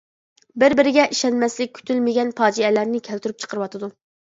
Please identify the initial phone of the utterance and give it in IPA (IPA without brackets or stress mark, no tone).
b